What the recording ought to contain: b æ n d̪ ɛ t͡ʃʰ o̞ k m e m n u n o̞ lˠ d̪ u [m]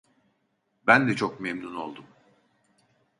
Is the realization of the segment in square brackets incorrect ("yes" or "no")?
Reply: no